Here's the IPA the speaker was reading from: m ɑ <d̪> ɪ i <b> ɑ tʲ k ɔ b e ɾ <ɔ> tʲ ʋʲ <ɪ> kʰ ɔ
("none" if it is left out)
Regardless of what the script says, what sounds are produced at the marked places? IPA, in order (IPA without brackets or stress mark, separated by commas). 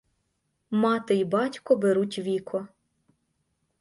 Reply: t̪, b, u, i